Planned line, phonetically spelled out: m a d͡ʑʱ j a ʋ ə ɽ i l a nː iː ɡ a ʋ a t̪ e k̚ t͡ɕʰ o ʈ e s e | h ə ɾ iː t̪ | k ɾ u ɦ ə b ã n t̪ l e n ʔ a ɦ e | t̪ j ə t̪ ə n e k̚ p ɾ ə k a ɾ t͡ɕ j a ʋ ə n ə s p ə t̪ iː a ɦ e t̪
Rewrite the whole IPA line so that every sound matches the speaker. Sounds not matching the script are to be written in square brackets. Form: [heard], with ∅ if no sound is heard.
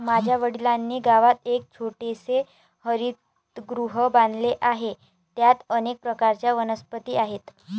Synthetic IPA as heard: m a d͡ʑʱ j a ʋ ə ɽ i l a nː iː ɡ a ʋ a t̪ e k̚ t͡ɕʰ o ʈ e s e | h ə ɾ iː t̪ | [ɡ] ɾ u ɦ ə b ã n [d̪] l e [∅] ʔ a ɦ e | t̪ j [a] t̪ ə n e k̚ p ɾ ə k a ɾ t͡ɕ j a ʋ ə n ə s p ə t̪ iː a ɦ e t̪